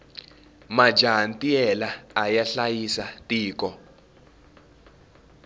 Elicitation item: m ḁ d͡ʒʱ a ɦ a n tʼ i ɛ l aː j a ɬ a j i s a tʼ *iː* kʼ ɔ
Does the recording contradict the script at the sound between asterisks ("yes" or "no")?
no